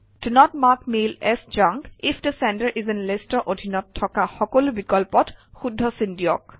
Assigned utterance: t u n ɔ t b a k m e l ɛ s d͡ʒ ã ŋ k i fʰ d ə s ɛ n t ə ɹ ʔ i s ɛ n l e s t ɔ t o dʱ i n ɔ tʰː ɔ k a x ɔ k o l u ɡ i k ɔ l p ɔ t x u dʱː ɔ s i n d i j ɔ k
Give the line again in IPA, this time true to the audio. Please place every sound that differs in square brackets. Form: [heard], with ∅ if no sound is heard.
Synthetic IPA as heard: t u n ɔ t [m] a k m e l ɛ s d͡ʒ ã ŋ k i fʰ d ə s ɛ n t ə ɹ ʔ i [z] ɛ n l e s t ɔ [ʔ] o dʱ i n ɔ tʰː ɔ k a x ɔ k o l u [b] i k ɔ l p ɔ t x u dʱː ɔ s i n d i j ɔ k